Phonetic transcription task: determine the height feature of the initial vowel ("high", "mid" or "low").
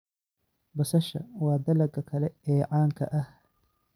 low